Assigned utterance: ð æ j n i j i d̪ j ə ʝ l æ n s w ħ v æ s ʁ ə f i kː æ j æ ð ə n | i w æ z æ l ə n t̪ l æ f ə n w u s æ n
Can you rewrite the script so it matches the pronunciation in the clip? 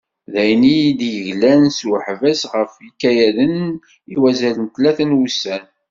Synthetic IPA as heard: ð æ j n i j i d̪ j ə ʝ l æ n s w ħ v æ s ʁ ə f i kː æ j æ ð ə n | i w æ z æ l ə n t̪ l æ θ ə n w u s æ n